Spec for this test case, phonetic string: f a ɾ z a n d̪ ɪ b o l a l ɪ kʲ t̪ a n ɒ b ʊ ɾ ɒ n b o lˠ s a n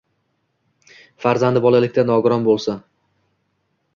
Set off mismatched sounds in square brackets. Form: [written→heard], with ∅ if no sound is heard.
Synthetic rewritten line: f a ɾ z a n d̪ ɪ b [o→ɒ] l a l ɪ kʲ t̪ a n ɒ [b→ɡ] ʊ ɾ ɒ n b o lˠ s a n